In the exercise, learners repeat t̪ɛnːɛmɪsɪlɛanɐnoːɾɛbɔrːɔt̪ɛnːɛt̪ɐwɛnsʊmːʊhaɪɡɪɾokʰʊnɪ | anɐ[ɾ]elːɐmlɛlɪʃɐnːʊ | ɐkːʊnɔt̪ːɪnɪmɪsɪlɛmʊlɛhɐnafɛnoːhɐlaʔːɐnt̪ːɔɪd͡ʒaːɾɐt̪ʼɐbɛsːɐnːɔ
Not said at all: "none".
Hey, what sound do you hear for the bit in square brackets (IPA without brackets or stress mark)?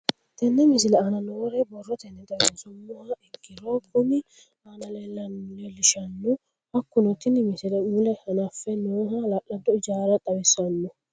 l